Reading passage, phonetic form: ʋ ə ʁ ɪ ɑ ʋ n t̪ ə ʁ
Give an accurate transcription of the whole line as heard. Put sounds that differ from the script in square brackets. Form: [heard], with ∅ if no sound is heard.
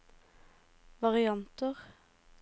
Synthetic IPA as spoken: ʋ [ɑ] ʁ ɪ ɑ [∅] n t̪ ə ʁ